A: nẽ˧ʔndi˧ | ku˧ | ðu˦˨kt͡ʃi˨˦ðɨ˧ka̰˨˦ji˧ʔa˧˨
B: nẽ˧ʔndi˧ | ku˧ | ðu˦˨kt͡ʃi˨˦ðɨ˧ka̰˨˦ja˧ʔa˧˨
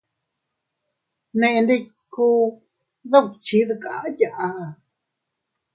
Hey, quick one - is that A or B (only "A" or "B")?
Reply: B